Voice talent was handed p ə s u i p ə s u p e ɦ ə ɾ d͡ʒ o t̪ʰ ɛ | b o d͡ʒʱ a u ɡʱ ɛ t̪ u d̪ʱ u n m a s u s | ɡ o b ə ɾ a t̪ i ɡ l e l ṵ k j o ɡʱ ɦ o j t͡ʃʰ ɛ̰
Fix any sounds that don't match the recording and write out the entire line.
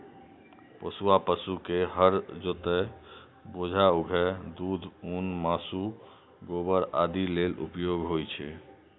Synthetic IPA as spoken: p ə s u a p ə s u k e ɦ ə ɾ d͡ʒ o t̪ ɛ | b o d͡ʒʱ a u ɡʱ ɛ d̪ u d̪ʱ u n m a s u | ɡ o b ə ɾ a d̪ i l e l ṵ p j o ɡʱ ɦ o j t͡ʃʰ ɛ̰